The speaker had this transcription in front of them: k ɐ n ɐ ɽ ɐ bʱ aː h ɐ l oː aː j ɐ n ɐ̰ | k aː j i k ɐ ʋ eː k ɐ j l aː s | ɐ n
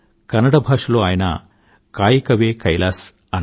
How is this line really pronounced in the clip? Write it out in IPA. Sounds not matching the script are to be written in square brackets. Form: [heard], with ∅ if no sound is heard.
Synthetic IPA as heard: k ɐ n ɐ ɽ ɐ bʱ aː [ʂ] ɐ l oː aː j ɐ n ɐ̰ | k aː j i k ɐ ʋ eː k ɐ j l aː s | ɐ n

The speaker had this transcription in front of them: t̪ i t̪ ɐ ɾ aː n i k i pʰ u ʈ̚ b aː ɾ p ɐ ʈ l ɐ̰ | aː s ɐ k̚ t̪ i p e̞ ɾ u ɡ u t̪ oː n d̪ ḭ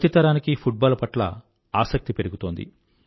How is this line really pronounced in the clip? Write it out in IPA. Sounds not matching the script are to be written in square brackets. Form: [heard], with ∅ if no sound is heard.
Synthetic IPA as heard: t̪ i t̪ ɐ ɾ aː n i k i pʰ u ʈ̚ b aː [l] p ɐ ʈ l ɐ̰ | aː s ɐ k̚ t̪ i p e̞ ɾ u ɡ u t̪ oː n d̪ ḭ

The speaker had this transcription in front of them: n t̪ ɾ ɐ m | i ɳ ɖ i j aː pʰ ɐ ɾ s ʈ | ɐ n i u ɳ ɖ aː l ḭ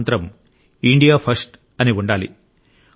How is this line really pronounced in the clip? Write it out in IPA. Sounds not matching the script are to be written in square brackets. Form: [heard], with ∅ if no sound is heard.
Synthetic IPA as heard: n t̪ ɾ ɐ m | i ɳ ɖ i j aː pʰ ɐ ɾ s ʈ | ɐ n i u ɳ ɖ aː l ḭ

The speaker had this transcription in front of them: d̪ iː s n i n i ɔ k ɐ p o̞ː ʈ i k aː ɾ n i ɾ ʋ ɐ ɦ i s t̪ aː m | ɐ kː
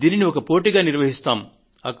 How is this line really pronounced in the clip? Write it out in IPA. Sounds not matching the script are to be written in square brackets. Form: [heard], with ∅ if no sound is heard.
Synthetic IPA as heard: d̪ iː [∅] n i n i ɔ k ɐ p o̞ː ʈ i [ɡ] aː [∅] n i ɾ ʋ ɐ ɦ i s t̪ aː m | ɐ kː

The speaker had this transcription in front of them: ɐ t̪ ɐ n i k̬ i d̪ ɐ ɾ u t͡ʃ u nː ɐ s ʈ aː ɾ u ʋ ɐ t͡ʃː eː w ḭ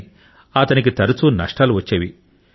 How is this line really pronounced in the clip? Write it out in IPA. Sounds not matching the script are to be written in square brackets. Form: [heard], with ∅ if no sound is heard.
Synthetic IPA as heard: ɐ t̪ ɐ n i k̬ i [t̪] ɐ ɾ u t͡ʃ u [n] ɐ [ʂ] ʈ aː [l] u ʋ ɐ t͡ʃː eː [ʋ] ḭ

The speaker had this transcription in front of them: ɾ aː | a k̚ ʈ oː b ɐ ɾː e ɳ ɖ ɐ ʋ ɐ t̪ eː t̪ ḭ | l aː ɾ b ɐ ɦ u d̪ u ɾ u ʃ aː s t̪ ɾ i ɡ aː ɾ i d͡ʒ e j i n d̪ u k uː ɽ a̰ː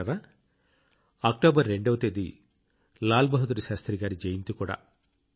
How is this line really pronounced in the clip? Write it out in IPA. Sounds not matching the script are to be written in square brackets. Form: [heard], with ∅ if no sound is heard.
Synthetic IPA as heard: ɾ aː | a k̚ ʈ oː b ɐ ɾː e ɳ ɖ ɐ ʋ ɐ t̪ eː [d̪] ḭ | l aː [l] b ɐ ɦ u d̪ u ɾ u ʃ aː s t̪ ɾ i ɡ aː ɾ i d͡ʒ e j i n [t̪] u k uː ɽ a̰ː

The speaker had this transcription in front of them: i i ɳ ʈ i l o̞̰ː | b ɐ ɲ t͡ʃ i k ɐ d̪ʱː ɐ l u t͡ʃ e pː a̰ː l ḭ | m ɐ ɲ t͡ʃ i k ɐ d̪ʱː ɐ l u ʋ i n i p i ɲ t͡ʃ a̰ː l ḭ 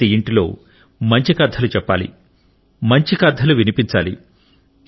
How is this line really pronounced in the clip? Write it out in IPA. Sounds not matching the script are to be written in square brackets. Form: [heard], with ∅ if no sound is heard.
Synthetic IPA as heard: i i ɳ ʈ i l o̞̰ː | [m] ɐ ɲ t͡ʃ i k ɐ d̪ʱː ɐ l u t͡ʃ [ɛ] pː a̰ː l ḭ | m ɐ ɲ t͡ʃ i k ɐ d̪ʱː ɐ l u ʋ i n i p i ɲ t͡ʃ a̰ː l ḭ

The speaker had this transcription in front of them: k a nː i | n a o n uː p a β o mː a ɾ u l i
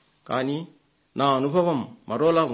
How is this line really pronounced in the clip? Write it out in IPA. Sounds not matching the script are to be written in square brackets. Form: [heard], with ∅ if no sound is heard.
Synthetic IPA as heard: k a [n] i | n a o n [u] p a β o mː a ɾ [o] l [a]

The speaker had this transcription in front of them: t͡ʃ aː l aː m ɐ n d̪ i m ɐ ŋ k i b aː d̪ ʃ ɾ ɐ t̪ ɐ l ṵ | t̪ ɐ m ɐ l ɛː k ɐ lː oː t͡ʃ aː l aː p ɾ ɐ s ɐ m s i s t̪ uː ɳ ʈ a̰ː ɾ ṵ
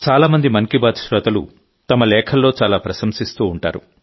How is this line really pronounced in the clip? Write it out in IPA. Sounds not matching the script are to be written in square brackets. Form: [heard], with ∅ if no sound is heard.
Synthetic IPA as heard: t͡ʃ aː l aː m ɐ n d̪ i m ɐ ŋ k i b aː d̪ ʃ ɾ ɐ t̪ ɐ l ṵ | t̪ ɐ m ɐ l ɛː [kʰ] ɐ lː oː t͡ʃ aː l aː p ɾ ɐ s ɐ m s i s t̪ uː ɳ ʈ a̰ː ɾ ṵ

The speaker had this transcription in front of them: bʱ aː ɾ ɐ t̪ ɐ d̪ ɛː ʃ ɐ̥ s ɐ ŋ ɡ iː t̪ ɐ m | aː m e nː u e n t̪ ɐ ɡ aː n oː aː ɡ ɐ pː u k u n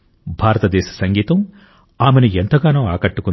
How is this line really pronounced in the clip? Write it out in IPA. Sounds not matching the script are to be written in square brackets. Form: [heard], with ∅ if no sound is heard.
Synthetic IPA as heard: bʱ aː ɾ ɐ t̪ ɐ d̪ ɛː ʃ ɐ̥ s ɐ ŋ ɡ iː t̪ ɐ m | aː m e [n] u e n t̪ ɐ ɡ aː n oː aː [k] ɐ [ʈː] u k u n

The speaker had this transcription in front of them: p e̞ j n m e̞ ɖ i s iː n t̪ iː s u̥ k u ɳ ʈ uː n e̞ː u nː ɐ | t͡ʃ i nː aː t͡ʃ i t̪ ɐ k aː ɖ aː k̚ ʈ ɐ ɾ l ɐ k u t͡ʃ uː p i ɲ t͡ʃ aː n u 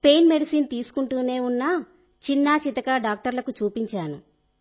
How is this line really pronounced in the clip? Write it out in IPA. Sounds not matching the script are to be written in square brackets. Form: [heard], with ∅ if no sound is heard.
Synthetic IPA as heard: p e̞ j n m e̞ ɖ i s iː n t̪ iː s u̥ k u ɳ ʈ uː n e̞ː u nː ɐ | t͡ʃ i nː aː t͡ʃ i t̪ ɐ k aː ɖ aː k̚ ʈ ɐ ɾ l ɐ k u t͡ʃ uː p i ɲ t͡ʃ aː n u

